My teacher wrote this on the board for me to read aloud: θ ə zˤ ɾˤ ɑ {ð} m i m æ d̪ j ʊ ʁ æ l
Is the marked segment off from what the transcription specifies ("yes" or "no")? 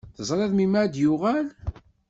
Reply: no